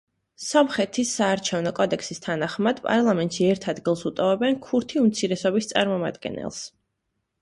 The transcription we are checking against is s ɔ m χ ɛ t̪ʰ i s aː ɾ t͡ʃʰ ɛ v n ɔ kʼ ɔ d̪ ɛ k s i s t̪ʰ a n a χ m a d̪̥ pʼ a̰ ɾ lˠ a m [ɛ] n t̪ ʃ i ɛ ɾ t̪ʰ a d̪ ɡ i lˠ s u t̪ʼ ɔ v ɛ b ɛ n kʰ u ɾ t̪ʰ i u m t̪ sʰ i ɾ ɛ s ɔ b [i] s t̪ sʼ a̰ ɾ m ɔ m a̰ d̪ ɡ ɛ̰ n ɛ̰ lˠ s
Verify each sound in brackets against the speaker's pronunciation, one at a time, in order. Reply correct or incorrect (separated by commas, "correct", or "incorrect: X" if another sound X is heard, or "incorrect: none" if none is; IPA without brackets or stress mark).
correct, correct